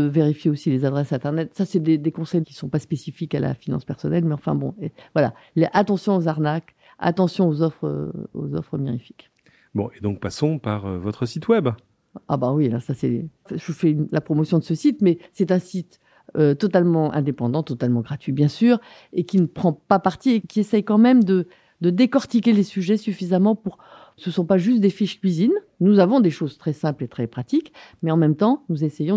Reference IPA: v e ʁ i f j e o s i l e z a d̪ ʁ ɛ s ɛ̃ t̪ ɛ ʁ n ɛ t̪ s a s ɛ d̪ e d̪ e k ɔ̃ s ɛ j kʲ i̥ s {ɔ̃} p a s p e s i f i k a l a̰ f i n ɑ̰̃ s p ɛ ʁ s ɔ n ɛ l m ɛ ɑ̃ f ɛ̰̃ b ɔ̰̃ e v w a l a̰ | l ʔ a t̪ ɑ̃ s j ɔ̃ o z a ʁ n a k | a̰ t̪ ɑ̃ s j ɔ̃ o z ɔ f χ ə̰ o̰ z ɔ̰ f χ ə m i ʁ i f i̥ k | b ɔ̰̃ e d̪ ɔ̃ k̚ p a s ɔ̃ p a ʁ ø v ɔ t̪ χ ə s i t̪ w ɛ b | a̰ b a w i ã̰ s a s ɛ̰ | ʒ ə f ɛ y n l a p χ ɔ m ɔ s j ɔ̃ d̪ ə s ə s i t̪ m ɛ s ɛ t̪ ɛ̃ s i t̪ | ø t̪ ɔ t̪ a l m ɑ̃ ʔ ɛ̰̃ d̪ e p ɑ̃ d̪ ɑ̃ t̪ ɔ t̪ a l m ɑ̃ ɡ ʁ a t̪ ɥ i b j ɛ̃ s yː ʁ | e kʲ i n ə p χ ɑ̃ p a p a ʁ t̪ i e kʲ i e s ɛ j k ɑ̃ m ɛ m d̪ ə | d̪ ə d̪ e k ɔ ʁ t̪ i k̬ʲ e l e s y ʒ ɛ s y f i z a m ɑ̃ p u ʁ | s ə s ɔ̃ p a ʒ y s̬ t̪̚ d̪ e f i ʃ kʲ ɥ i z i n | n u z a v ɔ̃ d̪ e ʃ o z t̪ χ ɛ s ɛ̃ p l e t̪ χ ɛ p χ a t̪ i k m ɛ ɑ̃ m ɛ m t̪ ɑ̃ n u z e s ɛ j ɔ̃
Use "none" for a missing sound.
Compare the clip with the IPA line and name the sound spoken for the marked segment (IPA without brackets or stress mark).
ɔ̃